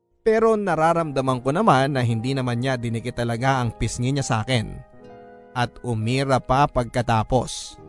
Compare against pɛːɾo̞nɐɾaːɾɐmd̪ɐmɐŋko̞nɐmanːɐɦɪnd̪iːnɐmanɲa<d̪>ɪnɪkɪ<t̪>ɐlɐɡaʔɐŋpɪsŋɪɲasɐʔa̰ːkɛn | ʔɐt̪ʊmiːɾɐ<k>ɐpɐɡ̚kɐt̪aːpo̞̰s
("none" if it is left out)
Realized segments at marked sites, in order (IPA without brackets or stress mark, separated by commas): d̪, t̪, p